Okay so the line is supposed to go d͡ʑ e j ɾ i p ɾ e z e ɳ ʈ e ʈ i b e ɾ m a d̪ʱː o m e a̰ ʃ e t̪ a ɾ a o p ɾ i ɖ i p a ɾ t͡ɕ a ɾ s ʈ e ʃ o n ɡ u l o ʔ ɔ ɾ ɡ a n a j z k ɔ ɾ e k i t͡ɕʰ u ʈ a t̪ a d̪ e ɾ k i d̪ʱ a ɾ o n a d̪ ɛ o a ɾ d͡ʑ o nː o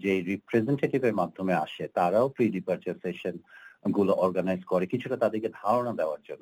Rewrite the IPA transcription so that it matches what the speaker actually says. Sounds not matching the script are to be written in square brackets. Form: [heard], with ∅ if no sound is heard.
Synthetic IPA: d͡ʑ e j ɾ i p ɾ e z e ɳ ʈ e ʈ i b e ɾ m a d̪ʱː o m e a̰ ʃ e t̪ a ɾ a o p ɾ i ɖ i p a ɾ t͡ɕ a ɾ s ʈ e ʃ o n ɡ u l o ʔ ɔ ɾ ɡ a n a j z k ɔ ɾ e k i t͡ɕʰ u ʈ a t̪ a d̪ e ɾ k [e] d̪ʱ a ɾ o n a d̪ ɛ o a ɾ d͡ʑ o nː o